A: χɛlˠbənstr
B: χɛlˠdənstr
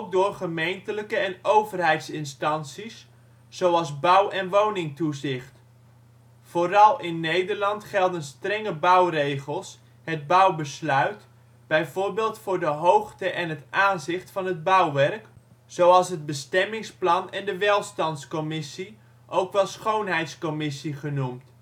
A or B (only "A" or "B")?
B